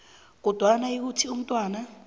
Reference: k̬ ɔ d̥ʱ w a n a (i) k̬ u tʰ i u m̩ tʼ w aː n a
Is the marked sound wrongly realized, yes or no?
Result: no